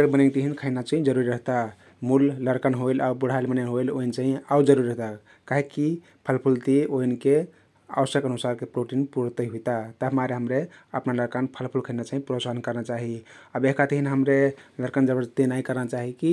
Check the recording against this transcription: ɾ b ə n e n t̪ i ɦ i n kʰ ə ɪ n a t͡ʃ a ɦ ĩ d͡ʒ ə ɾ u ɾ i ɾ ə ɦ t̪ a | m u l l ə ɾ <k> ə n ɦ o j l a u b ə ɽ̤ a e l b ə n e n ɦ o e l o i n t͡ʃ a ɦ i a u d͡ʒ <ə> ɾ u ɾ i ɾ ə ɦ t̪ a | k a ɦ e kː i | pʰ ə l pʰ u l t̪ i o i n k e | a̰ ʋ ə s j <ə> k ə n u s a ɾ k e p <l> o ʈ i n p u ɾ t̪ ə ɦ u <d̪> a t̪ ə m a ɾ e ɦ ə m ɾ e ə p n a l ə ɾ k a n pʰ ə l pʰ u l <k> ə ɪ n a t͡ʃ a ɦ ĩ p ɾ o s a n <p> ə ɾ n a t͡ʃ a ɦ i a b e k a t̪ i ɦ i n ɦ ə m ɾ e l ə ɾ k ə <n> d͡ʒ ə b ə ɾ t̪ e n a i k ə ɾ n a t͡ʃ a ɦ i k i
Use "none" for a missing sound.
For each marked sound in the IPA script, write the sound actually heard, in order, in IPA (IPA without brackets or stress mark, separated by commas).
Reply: k, ə, ə, ɾ, t̪, kʰ, k, n